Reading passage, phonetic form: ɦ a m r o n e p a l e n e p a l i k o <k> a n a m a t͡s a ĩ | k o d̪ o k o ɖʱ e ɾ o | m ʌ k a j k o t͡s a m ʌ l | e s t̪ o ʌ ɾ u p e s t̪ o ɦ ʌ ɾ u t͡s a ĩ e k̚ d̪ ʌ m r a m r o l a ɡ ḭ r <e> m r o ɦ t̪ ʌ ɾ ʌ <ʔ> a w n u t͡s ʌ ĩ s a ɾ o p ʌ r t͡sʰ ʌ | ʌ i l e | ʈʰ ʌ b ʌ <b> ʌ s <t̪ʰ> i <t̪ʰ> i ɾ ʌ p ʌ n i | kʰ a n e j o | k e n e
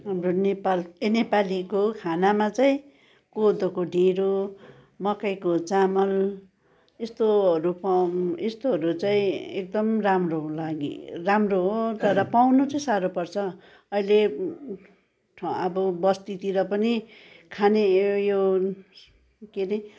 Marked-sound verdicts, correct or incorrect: incorrect: kʰ, incorrect: a, incorrect: p, correct, incorrect: t̪, incorrect: t̪

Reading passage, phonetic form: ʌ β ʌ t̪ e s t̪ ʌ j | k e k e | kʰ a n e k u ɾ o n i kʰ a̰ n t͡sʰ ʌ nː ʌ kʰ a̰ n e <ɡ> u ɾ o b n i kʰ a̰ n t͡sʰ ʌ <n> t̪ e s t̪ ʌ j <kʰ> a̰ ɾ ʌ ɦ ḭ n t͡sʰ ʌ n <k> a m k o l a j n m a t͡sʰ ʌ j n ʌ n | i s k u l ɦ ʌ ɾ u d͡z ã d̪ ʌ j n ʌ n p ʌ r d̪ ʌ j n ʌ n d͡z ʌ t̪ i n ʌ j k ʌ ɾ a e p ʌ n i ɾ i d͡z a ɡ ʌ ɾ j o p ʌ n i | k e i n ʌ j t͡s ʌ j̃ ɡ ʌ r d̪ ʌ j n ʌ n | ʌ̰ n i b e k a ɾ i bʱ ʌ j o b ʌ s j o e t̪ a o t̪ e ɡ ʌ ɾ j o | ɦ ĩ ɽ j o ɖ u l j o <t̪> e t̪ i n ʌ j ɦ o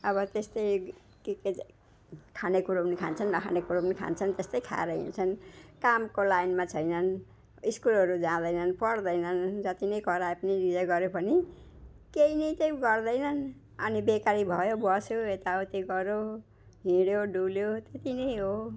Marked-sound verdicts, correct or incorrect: incorrect: k, correct, correct, correct, correct

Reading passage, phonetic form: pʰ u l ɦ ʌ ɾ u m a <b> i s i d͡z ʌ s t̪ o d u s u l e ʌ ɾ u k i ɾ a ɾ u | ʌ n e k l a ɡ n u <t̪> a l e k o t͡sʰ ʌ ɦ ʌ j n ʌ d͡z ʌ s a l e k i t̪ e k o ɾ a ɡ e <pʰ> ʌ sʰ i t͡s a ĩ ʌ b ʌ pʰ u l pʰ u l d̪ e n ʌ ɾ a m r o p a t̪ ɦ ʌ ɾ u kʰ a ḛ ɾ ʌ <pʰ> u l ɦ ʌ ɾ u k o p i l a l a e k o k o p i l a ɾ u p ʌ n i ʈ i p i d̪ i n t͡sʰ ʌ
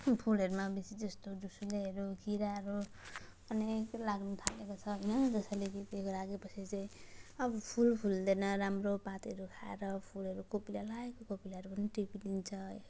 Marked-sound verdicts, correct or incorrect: correct, incorrect: t̪ʰ, incorrect: p, correct

